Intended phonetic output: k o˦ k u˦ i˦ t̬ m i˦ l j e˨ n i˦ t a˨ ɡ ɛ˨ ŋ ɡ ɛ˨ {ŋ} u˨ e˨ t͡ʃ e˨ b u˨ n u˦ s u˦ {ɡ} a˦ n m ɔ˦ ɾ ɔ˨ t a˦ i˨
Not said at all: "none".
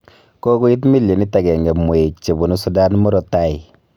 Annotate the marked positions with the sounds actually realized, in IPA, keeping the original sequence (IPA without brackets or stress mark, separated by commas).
m, d